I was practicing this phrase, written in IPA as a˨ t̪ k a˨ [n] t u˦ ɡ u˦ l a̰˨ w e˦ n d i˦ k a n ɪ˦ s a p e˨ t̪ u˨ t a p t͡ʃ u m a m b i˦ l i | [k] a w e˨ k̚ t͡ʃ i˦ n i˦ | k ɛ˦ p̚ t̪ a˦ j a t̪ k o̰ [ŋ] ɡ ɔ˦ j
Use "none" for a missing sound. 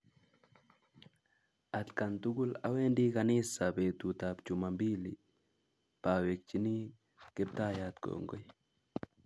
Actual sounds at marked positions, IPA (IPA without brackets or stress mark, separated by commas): n, p, ŋ